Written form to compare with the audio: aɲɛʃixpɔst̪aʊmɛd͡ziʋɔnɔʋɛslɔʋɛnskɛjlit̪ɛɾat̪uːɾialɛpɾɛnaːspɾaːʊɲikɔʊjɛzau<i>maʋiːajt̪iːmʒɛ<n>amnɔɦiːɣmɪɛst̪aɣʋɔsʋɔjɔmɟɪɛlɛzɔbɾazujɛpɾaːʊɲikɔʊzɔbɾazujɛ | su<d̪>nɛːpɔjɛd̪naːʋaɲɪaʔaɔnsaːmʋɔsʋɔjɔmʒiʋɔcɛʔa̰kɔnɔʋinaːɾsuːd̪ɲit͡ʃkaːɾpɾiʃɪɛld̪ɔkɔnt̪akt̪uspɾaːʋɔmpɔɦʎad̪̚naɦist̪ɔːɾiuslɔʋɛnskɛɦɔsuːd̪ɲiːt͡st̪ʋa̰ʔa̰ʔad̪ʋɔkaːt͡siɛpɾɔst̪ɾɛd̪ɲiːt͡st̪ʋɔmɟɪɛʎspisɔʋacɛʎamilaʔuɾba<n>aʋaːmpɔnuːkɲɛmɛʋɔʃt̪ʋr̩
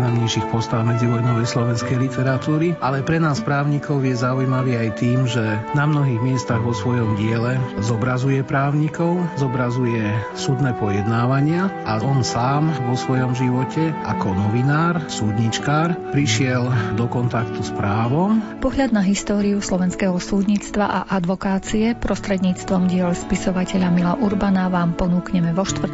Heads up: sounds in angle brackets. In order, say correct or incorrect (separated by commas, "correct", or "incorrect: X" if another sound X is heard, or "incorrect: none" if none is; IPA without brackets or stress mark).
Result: incorrect: j, correct, correct, correct